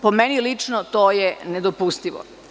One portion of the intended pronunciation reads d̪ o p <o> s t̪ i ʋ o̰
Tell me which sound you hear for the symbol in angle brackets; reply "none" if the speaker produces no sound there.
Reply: u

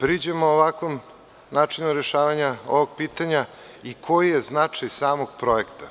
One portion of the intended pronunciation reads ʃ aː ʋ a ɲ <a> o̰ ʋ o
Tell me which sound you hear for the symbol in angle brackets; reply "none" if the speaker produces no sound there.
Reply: a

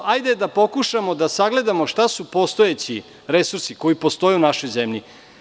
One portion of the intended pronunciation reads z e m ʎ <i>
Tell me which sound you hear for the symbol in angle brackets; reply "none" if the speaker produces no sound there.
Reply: i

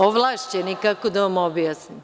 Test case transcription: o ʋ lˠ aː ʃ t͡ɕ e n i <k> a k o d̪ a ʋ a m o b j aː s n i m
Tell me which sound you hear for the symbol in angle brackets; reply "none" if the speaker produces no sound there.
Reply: k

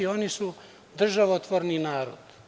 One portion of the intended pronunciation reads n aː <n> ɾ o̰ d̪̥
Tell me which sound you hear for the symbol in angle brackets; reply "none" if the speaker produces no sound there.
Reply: none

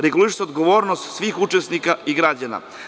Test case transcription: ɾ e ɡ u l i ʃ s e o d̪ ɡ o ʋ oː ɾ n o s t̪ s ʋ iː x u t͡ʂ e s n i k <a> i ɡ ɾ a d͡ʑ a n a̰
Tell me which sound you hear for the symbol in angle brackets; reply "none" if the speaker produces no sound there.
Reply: a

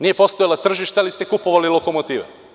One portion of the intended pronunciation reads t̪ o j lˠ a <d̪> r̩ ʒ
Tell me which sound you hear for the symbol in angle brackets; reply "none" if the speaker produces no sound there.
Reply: t̪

